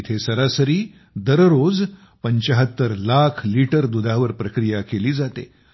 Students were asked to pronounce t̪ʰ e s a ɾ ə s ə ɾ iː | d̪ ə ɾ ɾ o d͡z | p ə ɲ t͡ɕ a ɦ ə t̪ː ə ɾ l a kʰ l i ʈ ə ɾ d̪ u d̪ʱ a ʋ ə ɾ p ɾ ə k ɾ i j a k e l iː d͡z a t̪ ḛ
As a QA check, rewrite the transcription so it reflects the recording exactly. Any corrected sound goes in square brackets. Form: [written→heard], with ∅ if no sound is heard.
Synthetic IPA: t̪ʰ e s [a→ə] ɾ [ə→a] s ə ɾ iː | d̪ ə ɾ ɾ o d͡z | p ə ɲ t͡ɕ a ɦ ə t̪ː ə ɾ l a kʰ l i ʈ ə ɾ d̪ u d̪ʱ a ʋ ə ɾ p ɾ ə k ɾ i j a k e l iː d͡z a t̪ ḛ